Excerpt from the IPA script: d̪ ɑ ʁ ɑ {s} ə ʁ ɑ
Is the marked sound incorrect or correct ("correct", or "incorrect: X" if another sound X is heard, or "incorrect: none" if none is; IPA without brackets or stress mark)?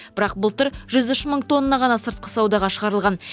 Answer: incorrect: ʃ